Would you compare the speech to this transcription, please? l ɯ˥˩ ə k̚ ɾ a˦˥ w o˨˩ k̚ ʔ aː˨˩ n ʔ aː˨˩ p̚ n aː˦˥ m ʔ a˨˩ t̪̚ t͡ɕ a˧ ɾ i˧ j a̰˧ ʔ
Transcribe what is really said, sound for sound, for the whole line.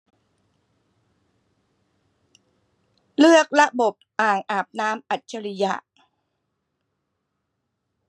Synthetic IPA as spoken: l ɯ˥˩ ə k̚ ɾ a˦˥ b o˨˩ p̚ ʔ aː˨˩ ŋ ʔ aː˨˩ p̚ n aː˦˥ m ʔ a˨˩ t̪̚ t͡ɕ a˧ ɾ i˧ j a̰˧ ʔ

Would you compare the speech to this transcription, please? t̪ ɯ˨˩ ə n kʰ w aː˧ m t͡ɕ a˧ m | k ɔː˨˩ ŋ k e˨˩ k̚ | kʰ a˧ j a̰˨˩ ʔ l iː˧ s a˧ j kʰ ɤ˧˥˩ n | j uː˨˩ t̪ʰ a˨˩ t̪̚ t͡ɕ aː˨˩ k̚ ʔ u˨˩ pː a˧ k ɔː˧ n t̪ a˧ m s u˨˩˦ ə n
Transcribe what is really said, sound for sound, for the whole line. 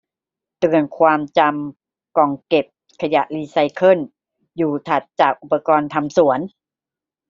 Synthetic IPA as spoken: t̪ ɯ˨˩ ə n kʰ w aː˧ m t͡ɕ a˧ m | k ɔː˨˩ ŋ k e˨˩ p̚ | kʰ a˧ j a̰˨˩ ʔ l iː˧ s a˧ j kʰ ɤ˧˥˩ n | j uː˨˩ t̪ʰ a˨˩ t̪̚ t͡ɕ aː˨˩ k̚ ʔ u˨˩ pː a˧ k ɔː˧ n t̪ʰ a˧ m s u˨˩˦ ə n

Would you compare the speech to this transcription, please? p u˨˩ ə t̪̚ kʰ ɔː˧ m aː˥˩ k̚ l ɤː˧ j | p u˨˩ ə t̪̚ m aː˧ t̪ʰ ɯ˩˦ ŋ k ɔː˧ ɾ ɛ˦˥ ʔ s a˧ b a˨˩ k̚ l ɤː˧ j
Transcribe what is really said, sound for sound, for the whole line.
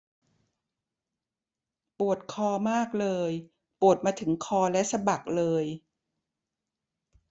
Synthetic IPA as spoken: p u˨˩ ə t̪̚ kʰ ɔː˧ m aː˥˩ k̚ l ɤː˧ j | p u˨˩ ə t̪̚ m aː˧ t̪ʰ ɯ˩˦ ŋ kʰ ɔː˧ l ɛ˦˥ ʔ s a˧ b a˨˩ k̚ l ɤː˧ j

